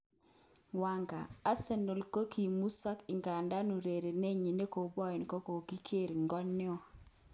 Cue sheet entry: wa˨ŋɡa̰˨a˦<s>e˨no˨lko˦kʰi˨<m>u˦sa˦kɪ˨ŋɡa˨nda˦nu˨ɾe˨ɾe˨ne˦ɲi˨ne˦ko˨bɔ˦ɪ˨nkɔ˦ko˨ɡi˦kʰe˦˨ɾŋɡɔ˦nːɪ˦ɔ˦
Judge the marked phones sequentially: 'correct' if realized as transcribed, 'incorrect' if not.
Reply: correct, correct

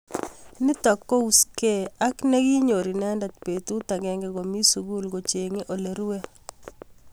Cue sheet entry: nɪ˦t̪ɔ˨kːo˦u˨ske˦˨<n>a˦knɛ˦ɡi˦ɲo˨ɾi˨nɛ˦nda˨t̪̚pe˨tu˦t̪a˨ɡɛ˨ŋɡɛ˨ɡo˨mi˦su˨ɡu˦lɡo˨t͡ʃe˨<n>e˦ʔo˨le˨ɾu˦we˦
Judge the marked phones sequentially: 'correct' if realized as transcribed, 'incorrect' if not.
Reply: incorrect: none, incorrect: ŋ

